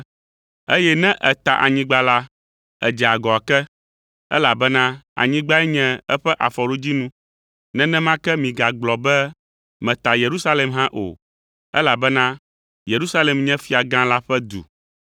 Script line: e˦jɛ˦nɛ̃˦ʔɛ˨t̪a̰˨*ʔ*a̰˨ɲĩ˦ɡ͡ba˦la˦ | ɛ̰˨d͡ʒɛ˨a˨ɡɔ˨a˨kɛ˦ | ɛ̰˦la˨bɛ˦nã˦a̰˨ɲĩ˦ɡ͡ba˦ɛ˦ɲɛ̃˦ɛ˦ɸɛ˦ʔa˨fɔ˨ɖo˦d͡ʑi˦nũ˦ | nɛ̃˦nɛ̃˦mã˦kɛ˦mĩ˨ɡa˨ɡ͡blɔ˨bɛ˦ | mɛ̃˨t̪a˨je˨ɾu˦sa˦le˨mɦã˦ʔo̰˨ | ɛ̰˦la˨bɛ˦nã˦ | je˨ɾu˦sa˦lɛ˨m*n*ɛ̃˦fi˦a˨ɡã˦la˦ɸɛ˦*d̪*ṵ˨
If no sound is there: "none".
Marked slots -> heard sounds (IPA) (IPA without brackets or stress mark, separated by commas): ʔ, ɲ, d̪